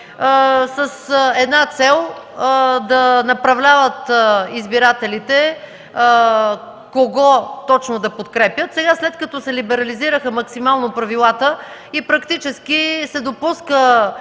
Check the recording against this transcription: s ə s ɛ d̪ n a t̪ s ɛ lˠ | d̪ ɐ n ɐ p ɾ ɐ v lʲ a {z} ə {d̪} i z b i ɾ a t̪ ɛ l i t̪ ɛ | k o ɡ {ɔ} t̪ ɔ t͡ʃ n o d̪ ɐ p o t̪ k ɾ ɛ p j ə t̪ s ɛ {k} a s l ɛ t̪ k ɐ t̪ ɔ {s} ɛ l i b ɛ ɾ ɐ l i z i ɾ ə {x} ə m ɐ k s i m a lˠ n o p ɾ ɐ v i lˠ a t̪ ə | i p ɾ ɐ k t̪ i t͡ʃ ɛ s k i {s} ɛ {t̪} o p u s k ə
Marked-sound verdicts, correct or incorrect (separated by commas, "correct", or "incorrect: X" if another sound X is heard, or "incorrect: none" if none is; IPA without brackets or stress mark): incorrect: v, incorrect: t̪, correct, incorrect: ɡ, correct, correct, correct, incorrect: d̪